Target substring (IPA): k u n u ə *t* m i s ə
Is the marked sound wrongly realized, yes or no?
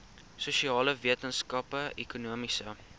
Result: yes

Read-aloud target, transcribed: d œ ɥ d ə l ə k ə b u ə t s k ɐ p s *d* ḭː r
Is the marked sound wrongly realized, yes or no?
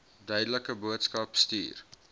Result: yes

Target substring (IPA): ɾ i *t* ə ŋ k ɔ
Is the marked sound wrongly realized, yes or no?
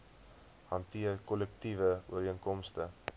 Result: yes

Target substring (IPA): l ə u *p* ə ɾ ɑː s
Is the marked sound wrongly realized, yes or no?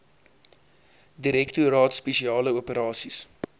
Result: no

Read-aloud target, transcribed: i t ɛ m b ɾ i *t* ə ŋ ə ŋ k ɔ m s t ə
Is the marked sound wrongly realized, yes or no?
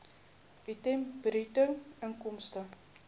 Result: no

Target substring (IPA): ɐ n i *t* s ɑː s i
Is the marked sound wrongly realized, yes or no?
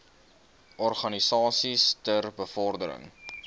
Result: yes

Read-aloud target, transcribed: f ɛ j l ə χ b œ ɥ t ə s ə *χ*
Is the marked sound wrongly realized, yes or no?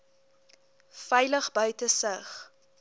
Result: no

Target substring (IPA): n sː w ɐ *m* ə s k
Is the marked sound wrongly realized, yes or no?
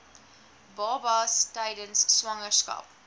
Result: yes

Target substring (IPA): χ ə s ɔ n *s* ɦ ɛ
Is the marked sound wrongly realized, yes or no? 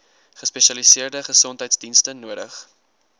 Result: yes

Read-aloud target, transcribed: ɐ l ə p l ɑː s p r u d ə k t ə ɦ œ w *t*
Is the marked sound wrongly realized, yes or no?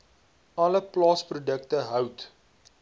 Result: no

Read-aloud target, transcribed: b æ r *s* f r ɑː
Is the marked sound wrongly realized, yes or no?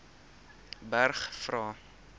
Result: yes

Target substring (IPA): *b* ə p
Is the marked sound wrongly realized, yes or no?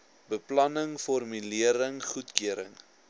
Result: no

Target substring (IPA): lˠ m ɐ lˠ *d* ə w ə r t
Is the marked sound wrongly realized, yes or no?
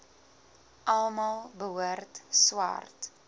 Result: yes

